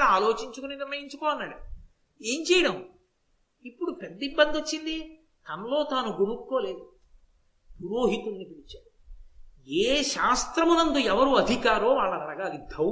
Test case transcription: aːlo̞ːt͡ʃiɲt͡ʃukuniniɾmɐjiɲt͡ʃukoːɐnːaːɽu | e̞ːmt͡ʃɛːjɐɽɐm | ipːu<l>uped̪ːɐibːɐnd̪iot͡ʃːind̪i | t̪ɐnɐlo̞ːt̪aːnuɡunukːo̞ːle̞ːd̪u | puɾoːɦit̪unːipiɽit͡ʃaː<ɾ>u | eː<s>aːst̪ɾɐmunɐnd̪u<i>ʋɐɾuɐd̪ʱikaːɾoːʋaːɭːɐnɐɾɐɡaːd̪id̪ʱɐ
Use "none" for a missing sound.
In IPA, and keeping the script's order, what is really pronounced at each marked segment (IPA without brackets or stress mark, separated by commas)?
ɽ, ɽ, ʃ, ɛ